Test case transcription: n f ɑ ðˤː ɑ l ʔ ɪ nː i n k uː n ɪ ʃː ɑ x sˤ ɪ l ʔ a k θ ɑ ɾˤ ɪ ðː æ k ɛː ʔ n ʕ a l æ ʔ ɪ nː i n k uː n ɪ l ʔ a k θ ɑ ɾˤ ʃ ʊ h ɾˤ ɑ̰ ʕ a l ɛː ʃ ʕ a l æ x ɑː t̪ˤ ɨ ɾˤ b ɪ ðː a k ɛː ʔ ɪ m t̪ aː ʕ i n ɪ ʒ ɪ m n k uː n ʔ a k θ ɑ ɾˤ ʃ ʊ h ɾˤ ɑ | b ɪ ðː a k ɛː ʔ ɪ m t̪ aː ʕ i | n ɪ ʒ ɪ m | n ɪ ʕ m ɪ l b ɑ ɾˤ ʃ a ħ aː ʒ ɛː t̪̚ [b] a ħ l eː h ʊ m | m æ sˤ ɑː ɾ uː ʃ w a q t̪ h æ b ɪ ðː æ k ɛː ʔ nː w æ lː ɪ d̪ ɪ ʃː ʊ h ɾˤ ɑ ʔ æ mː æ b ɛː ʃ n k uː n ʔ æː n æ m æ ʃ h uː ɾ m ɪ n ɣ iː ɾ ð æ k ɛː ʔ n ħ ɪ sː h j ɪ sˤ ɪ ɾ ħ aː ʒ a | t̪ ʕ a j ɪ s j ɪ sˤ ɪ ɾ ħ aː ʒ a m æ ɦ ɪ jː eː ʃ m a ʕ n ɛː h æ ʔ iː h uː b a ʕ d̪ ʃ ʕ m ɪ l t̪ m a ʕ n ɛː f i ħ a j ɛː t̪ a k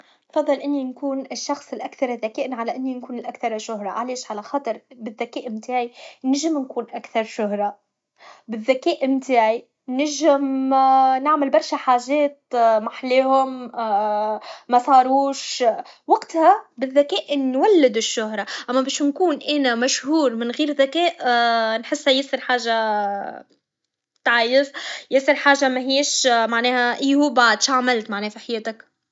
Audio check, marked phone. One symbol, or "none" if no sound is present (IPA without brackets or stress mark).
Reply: m